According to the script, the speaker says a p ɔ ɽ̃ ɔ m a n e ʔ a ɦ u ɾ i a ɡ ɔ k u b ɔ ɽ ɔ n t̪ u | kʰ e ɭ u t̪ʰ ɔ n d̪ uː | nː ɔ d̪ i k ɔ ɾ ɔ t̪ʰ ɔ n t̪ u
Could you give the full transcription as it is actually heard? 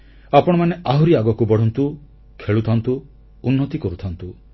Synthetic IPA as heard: a p ɔ ɽ̃ ɔ m a n e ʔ a ɦ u ɾ i a ɡ ɔ k u b ɔ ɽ ɔ n t̪ u | kʰ e ɭ u t̪ʰ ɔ n t̪ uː | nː ɔ t̪ i k ɔ ɾ u t̪ʰ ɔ n t̪ u